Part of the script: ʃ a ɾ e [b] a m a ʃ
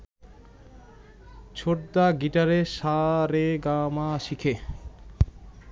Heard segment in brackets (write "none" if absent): ɡ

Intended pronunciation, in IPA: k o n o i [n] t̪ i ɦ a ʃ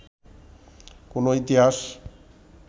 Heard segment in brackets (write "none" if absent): none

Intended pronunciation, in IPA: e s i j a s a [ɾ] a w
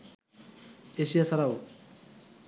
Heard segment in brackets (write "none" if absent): ɾ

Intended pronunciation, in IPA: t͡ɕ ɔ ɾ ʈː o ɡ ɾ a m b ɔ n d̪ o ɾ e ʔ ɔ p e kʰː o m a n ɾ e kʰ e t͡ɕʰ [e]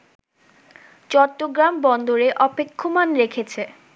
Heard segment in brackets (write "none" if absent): e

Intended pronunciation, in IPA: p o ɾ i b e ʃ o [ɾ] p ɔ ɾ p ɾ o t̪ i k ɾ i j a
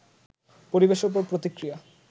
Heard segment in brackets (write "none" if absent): ɾ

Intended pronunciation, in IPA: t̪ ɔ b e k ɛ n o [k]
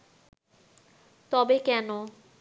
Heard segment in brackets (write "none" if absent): none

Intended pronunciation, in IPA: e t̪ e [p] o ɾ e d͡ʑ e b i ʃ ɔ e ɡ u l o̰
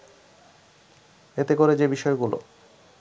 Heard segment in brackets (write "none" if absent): k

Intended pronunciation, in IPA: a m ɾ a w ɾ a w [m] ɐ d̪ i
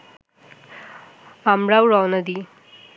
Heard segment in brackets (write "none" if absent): n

